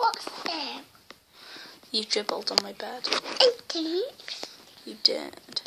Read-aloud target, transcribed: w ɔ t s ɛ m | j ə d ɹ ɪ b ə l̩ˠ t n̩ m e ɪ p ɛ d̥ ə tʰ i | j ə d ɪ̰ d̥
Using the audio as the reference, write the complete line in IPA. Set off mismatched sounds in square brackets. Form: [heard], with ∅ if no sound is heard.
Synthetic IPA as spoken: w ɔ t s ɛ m | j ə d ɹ ɪ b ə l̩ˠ [d] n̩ m [a] ɪ [b] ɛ d̥ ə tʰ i | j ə d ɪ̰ d̥